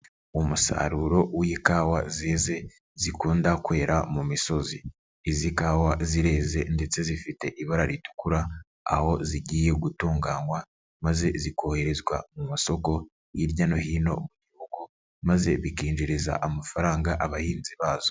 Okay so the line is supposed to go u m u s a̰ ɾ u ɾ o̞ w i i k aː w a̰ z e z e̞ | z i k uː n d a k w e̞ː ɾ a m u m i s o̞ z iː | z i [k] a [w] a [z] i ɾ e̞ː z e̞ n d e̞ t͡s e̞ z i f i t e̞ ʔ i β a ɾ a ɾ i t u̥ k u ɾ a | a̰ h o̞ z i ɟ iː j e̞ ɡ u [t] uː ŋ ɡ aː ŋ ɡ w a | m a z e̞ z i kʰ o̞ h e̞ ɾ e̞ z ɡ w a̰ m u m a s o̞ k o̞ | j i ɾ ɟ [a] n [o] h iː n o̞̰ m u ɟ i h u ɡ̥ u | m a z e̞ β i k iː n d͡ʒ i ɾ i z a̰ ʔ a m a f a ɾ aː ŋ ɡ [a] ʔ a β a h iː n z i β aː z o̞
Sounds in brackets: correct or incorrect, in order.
correct, correct, correct, correct, correct, correct, correct

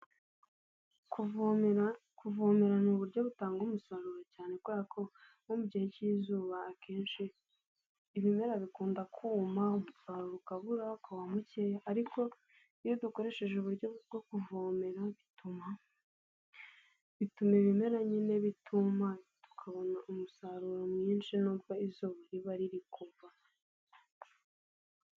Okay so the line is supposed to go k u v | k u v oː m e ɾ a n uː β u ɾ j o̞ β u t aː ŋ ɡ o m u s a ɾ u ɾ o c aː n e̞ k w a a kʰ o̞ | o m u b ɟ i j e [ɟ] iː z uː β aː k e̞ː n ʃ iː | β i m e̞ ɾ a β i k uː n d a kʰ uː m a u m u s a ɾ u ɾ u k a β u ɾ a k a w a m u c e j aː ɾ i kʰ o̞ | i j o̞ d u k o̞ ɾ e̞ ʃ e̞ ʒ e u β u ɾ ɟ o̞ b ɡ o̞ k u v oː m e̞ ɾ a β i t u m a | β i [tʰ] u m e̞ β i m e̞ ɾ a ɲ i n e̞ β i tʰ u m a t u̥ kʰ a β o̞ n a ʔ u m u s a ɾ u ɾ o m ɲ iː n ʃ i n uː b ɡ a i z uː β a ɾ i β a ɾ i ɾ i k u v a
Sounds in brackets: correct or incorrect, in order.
incorrect: c, incorrect: t

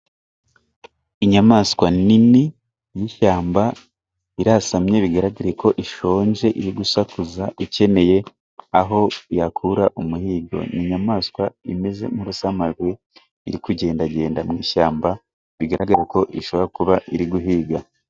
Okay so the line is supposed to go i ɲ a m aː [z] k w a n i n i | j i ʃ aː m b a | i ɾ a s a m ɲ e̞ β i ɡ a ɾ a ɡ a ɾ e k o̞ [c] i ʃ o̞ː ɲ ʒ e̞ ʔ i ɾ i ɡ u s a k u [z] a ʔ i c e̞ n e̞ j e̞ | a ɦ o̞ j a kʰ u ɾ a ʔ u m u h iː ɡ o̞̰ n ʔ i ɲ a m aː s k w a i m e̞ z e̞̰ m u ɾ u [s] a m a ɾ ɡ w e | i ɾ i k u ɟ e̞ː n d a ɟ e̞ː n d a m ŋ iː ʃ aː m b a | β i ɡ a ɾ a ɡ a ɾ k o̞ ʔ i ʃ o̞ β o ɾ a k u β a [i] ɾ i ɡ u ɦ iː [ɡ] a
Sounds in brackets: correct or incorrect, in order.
incorrect: s, incorrect: ʔ, correct, correct, correct, correct

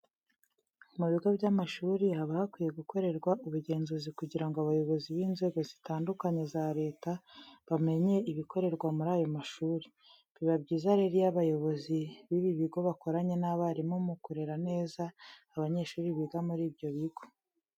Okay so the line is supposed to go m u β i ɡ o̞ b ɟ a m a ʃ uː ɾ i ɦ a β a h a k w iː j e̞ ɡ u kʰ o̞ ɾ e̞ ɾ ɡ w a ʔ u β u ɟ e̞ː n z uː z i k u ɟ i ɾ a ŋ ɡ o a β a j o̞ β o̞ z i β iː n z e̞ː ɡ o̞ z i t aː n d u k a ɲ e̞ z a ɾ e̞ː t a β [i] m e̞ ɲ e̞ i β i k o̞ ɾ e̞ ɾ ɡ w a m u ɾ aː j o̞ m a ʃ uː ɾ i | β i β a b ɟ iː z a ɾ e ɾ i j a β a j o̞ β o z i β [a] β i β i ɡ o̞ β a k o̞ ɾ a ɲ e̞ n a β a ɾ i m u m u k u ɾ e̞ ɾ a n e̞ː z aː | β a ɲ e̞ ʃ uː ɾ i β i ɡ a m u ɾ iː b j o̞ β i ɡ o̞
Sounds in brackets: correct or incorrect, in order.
incorrect: a, incorrect: i

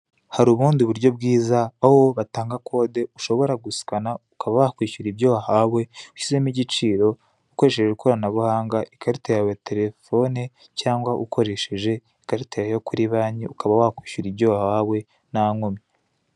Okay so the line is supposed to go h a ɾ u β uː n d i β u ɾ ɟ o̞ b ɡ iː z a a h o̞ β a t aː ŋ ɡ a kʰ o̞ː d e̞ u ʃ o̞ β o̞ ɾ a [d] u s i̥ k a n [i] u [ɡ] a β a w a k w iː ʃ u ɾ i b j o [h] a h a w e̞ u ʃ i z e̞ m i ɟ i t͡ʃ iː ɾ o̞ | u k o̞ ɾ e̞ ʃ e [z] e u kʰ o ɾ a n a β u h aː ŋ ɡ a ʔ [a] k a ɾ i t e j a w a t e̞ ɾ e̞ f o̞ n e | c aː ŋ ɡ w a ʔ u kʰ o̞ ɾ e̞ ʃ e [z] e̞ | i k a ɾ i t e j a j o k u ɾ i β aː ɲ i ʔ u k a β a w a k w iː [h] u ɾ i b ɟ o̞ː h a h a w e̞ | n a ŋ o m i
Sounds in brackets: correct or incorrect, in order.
incorrect: ɡ, incorrect: a, incorrect: k, correct, incorrect: ʒ, incorrect: i, incorrect: ʒ, incorrect: ʃ

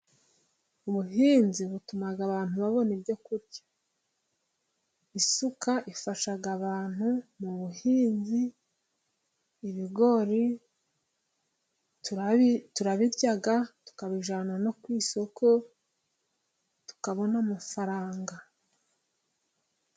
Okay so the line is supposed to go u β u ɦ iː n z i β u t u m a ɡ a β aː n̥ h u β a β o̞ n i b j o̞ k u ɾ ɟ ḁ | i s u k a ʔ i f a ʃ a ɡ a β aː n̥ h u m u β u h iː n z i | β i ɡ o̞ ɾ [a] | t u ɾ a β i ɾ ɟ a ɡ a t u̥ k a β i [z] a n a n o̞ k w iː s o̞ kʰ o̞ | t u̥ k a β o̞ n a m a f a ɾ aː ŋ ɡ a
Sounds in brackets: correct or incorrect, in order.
incorrect: i, incorrect: ʒ

